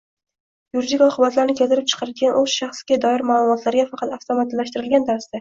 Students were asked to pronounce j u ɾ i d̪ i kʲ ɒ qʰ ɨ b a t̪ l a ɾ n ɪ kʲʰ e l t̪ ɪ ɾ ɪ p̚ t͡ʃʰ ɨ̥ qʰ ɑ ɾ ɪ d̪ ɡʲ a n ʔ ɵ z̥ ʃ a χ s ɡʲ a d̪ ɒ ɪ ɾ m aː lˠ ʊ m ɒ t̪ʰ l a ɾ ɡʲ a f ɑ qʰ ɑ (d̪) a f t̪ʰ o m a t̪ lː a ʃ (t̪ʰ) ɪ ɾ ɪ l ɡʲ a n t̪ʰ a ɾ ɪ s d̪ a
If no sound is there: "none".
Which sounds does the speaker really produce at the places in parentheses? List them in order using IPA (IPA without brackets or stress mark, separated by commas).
t̪, t̪